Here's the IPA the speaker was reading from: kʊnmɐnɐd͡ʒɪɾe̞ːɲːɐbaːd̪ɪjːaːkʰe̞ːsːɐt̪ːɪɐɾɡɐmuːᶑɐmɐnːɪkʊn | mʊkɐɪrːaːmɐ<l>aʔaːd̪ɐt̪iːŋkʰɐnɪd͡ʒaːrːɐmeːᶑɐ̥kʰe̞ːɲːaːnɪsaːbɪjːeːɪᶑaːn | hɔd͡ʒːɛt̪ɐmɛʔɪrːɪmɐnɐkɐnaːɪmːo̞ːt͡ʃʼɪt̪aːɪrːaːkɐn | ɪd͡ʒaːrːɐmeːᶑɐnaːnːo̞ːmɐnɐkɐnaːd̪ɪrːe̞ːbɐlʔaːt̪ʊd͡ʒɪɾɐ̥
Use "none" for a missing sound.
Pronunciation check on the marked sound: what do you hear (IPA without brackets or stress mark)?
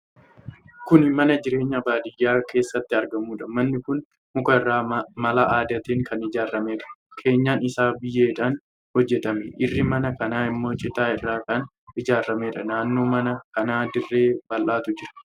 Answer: l